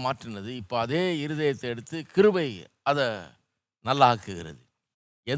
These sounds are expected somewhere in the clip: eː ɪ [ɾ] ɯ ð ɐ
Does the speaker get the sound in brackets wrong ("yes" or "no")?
no